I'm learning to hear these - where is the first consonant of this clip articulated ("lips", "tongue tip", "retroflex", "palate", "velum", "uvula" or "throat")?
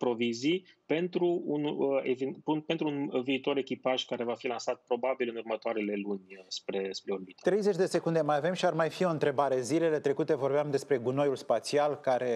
lips